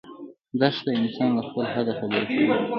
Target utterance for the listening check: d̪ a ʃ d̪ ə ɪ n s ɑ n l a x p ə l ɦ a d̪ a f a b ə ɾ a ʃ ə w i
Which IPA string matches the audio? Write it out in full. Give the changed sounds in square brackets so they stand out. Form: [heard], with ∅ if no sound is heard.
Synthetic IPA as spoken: d̪ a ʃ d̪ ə ɪ n s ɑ n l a x p ə l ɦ a d̪ a f a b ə ɾ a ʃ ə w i